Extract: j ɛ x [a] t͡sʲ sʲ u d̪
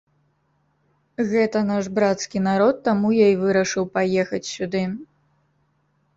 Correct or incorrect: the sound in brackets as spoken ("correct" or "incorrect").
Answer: incorrect